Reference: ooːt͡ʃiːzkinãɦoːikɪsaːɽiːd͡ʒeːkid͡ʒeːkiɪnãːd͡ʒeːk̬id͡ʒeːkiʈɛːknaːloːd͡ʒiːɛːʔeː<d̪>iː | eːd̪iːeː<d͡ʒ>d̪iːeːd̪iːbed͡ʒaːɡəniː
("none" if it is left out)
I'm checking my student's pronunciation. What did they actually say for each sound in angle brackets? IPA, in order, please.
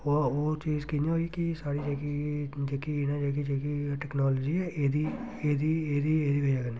d̪, none

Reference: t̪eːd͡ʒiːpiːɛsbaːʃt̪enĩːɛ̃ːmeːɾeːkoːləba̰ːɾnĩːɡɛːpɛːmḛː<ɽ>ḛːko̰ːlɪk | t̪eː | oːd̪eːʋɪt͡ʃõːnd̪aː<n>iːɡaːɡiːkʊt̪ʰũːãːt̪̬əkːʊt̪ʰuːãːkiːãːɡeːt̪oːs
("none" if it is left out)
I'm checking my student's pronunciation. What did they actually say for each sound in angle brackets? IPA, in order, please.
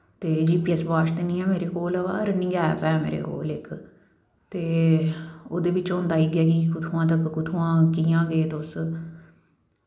ɾ, none

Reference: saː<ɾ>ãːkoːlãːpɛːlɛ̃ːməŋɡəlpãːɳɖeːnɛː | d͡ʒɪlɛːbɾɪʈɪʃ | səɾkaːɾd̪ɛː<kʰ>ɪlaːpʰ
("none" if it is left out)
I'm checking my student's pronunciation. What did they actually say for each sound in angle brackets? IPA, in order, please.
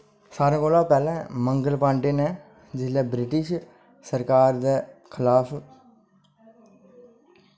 ɾ, kʰ

